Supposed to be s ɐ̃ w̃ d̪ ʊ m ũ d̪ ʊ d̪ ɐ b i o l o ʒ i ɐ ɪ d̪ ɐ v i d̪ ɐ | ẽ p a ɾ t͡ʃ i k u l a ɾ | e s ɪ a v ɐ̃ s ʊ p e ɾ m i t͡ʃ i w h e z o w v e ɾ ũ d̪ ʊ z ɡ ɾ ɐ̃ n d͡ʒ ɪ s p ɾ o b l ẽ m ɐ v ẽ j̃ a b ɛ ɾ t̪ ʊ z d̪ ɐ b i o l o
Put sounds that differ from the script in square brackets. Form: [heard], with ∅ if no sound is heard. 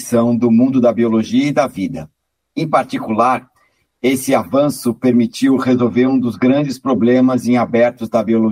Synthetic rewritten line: s ɐ̃ w̃ d̪ ʊ m ũ d̪ ʊ d̪ ɐ b i o l o ʒ i ɐ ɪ d̪ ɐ v i d̪ ɐ | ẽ p a ɾ t͡ʃ i k u l a ɾ | e s ɪ a v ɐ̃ s ʊ p e ɾ m i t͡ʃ i w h e z o w v e ɾ ũ d̪ ʊ z ɡ ɾ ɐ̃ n d͡ʒ ɪ s p ɾ o b l ẽ m ɐ [z] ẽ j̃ a b ɛ ɾ t̪ ʊ z d̪ ɐ b i o l o